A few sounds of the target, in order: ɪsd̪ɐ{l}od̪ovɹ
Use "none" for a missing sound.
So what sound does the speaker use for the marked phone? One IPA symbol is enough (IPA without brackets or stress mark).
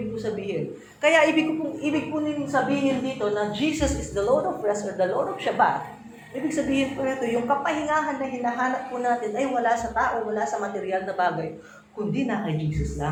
l